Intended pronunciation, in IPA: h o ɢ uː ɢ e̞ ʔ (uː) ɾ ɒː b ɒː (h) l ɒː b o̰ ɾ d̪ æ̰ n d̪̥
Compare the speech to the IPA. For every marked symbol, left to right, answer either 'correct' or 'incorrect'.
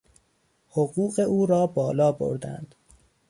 correct, incorrect: none

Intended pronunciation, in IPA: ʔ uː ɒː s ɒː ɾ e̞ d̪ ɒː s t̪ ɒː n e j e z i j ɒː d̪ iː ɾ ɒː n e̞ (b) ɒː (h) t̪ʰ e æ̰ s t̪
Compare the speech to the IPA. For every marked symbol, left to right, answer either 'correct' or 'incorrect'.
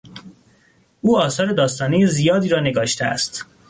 incorrect: ɡ, incorrect: ʃ

